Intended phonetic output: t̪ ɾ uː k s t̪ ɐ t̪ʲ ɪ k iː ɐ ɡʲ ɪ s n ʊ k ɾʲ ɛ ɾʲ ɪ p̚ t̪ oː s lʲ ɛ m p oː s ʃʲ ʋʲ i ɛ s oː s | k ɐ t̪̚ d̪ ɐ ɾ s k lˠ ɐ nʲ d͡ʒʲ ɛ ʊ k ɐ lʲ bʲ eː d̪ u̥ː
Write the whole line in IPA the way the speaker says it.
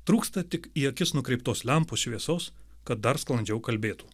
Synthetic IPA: t̪ ɾ uː k s t̪ ɐ t̪ʲ ɪ k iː ɐ kʲ ɪ s n ʊ k ɾʲ ɛ ɪ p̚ t̪ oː s lʲ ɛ m p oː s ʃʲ ʋʲ i ɛ s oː s | k ɐ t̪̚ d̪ ɐ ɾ s k lˠ ɐ nʲ d͡ʒʲ ɛ ʊ k ɐ lʲ bʲ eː t̪ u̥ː